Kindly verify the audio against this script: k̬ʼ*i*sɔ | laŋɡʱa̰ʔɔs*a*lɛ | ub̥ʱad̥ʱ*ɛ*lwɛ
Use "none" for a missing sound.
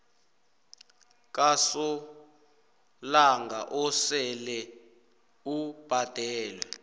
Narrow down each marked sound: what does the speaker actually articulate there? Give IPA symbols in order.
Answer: a, ɛ, ɛː

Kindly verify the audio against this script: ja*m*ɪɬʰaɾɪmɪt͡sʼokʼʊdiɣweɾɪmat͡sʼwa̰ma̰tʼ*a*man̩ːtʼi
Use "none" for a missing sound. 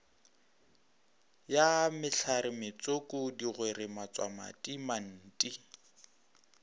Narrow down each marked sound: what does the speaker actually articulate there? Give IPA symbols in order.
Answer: m, i

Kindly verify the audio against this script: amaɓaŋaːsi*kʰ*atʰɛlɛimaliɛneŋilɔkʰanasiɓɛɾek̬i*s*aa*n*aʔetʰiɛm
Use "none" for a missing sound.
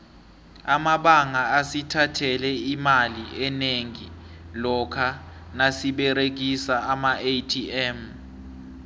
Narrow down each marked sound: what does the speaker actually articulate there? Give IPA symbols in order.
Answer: tʰ, s, m

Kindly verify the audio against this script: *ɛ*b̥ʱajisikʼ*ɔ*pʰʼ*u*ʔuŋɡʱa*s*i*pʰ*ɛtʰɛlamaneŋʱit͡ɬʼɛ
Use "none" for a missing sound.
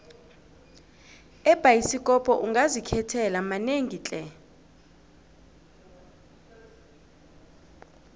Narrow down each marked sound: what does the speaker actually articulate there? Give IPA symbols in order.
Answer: ɛ, ɔ, ɔ, z, kʰ

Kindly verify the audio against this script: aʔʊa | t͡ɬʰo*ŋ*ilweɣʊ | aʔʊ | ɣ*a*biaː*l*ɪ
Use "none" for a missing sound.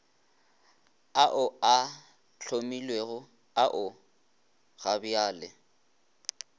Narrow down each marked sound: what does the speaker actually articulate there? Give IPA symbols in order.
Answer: m, a, l

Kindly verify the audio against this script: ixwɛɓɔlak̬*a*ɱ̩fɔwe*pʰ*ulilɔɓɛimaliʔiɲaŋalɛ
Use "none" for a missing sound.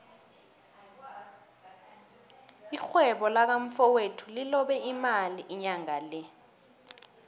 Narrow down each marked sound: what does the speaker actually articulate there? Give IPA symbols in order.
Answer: a, tʰ

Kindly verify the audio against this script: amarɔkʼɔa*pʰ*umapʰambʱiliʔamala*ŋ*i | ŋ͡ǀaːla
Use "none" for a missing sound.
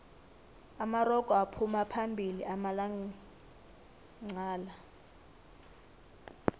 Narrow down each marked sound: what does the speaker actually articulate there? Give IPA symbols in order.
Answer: pʰ, ŋ

